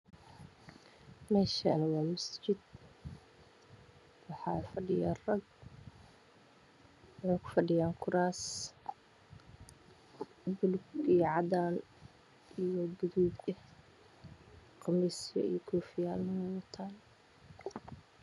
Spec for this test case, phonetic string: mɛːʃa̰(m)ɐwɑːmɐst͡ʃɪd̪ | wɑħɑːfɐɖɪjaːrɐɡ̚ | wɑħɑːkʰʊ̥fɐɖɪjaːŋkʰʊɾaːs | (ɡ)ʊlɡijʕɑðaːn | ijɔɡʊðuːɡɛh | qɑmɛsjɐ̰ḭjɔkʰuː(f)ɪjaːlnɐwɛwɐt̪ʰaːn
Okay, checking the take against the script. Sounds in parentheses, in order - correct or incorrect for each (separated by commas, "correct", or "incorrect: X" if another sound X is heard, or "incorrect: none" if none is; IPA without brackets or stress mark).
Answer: incorrect: n, incorrect: b, correct